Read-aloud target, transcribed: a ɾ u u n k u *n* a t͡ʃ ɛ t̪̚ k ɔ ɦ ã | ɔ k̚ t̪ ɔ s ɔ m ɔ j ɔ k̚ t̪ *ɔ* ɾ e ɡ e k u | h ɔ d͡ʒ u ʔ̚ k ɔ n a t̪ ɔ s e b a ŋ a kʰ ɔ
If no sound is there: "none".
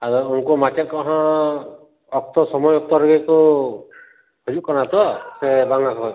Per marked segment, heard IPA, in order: m, ɔ

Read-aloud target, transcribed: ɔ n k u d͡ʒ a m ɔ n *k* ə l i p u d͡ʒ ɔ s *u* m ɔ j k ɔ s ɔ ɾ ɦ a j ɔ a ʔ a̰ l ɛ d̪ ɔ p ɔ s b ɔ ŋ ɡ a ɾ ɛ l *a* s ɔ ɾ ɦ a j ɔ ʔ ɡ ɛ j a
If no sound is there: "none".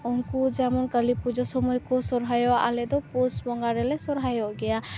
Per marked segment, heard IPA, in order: k, ɔ, ɛ

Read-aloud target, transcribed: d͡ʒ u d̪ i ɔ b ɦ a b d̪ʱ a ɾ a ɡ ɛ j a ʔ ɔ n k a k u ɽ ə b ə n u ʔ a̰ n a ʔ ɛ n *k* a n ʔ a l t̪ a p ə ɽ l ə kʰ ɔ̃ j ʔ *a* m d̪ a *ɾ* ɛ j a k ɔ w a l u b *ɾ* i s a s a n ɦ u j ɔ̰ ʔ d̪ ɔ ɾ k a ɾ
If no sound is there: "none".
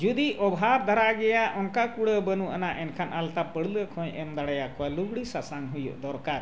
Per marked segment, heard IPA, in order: kʰ, ɛ, ɽ, ɽ

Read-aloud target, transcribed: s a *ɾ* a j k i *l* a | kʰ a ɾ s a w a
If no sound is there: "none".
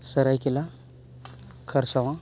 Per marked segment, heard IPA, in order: ɾ, l

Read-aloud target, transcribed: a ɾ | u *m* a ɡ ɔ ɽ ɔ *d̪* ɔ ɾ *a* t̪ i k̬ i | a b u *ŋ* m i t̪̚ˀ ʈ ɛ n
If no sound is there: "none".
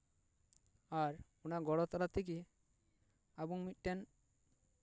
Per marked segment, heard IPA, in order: n, t̪, a, ŋ

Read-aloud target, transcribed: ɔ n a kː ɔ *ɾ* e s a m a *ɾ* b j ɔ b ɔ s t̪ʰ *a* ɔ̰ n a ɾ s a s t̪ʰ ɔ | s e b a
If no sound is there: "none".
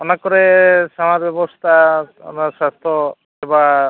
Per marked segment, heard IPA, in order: ɾ, ɾ, a

